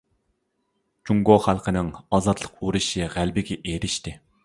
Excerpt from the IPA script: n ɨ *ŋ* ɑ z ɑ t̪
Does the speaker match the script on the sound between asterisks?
yes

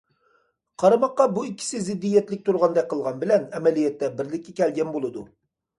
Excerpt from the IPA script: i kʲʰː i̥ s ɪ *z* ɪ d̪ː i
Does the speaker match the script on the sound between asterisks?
yes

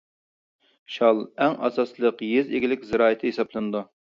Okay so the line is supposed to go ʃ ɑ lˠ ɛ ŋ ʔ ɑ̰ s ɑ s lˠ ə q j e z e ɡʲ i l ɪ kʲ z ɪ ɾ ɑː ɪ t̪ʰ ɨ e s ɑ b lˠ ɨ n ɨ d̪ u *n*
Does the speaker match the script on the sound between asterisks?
no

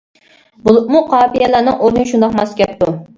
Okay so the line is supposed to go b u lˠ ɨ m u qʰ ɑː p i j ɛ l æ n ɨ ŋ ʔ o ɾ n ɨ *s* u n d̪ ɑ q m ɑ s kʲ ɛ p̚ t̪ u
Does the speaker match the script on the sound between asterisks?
no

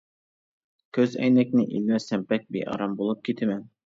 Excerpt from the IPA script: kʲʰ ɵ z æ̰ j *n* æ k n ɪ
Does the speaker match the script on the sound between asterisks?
yes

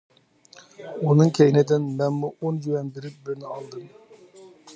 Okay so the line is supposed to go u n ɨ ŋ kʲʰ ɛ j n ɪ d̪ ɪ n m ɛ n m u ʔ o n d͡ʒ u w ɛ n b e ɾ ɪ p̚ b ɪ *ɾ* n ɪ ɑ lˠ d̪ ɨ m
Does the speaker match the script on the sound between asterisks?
yes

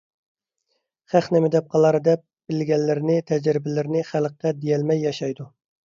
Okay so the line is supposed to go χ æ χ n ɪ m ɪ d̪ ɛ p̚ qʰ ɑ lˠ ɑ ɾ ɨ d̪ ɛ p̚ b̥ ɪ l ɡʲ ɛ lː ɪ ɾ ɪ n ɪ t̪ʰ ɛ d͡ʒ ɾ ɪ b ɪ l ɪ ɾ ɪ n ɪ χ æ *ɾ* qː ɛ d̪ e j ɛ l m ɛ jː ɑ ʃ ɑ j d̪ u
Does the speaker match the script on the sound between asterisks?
no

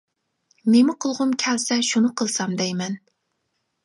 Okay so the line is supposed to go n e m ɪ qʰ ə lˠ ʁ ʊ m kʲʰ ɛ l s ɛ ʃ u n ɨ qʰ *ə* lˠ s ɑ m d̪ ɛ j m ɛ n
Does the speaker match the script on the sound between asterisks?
yes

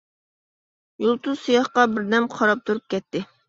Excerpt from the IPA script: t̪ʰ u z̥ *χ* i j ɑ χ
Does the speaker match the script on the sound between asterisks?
no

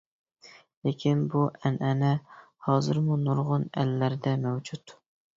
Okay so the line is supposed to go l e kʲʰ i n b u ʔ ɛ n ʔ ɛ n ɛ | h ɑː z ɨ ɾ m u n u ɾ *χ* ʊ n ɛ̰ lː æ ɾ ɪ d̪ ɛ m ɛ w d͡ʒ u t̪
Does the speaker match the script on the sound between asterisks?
no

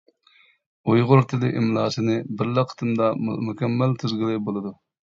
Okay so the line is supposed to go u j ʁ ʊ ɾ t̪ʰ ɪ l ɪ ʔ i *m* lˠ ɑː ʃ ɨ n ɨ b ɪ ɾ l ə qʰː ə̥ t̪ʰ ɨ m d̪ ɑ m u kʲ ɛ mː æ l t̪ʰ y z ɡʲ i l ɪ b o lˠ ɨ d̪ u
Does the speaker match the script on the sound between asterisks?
yes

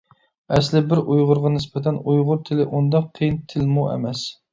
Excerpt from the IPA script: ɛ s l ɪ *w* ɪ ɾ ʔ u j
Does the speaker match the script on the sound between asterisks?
no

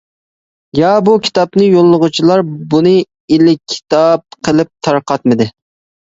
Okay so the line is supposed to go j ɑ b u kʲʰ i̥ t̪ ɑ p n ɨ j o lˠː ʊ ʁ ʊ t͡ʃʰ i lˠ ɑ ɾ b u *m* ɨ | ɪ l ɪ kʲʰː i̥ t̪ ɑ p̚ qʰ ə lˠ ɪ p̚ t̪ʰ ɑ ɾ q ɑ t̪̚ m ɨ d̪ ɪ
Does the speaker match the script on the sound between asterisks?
no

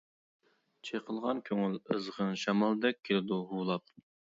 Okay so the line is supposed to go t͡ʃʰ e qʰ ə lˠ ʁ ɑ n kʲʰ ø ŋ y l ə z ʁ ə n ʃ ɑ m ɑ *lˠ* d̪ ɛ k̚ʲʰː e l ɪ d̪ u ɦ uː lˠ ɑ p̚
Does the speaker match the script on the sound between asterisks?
yes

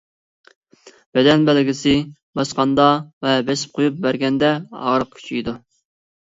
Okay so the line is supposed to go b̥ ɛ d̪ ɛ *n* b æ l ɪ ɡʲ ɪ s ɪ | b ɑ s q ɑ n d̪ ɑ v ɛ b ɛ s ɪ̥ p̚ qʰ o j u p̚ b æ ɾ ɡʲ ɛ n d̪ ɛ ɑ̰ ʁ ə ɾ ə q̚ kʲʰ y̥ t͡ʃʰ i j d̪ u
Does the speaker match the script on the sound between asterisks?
yes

